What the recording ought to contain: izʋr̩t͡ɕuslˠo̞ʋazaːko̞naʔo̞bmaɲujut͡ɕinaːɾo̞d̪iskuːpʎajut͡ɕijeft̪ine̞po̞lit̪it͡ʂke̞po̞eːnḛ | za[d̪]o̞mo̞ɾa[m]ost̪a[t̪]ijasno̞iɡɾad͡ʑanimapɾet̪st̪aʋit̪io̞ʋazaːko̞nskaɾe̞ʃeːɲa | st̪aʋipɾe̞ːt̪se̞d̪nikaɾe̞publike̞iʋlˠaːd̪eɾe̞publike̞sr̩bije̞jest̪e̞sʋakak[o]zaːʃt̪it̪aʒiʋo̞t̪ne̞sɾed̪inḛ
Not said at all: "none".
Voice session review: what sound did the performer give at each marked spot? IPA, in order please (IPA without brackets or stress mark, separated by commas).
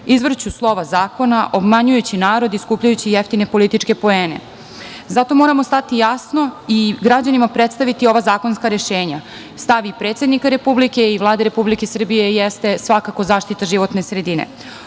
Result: t̪, m, t̪, o